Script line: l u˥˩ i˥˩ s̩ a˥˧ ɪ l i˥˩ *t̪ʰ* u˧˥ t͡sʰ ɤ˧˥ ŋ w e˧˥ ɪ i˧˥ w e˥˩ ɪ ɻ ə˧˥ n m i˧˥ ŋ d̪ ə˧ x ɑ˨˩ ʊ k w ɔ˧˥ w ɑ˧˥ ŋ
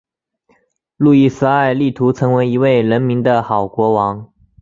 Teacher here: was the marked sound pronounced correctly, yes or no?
yes